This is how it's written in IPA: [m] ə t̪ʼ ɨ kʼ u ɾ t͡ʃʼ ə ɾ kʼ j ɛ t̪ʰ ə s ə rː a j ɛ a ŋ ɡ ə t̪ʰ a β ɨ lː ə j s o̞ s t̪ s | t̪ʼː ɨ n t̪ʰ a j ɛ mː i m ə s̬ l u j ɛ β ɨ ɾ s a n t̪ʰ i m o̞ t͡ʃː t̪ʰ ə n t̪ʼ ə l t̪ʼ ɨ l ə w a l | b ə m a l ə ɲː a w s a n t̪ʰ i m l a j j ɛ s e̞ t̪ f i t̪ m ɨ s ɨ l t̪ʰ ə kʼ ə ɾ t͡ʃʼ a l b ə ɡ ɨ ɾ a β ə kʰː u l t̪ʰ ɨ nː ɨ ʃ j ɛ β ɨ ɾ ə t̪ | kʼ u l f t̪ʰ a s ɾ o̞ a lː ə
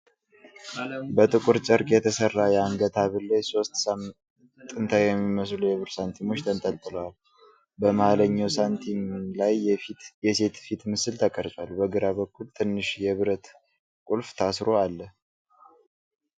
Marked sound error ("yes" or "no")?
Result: yes